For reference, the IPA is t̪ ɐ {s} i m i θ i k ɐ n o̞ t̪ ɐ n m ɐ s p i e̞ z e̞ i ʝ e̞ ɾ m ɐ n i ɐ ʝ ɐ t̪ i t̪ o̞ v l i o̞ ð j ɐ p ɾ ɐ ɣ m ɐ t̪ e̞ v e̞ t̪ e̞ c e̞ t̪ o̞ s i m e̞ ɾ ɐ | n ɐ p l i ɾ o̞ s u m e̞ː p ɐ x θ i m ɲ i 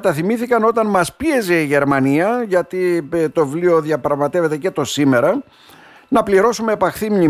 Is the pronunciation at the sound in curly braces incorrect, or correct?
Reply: incorrect